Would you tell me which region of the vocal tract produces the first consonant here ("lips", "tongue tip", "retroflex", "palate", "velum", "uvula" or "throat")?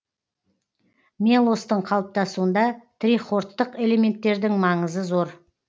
lips